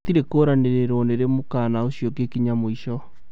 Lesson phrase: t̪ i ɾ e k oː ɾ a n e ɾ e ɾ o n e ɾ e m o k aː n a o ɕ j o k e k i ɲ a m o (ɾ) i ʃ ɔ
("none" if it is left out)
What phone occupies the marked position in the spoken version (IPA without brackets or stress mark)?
none